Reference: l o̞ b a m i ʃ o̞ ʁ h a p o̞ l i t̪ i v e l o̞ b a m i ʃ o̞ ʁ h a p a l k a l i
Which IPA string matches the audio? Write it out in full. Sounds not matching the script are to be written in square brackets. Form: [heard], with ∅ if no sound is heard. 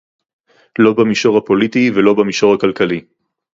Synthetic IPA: l o̞ b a m i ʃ o̞ ʁ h a p o̞ l i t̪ i v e l o̞ b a m i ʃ o̞ ʁ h a [k] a l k a l i